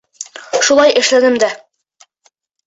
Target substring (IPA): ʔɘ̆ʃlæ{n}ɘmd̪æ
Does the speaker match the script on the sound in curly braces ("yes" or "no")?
yes